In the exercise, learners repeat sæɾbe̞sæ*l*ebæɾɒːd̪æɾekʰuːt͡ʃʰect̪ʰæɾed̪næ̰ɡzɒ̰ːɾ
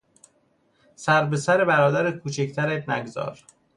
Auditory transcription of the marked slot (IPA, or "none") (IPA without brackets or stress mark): ɾ